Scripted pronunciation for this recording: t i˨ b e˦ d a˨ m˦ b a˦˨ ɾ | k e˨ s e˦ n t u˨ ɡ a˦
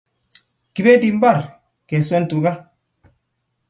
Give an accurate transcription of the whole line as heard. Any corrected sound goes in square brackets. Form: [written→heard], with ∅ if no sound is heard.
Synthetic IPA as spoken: [t→k] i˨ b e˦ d [a˨→i˨] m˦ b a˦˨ ɾ | k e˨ s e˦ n t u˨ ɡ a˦